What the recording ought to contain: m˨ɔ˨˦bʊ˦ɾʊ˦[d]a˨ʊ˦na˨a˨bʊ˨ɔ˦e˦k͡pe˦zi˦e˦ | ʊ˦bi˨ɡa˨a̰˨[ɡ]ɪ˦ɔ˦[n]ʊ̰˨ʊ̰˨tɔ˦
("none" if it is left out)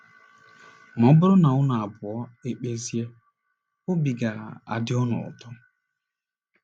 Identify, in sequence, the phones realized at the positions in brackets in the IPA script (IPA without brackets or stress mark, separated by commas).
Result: n, d, n